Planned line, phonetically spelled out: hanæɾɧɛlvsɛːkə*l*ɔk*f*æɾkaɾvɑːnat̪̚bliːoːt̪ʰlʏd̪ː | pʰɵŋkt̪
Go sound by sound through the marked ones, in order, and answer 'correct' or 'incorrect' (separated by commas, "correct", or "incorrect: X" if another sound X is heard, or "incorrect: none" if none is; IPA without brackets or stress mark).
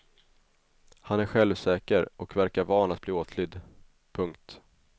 incorrect: ɾ, incorrect: v